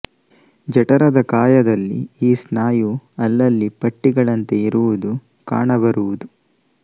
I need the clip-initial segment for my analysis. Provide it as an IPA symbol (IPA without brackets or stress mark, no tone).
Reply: d͡ʒ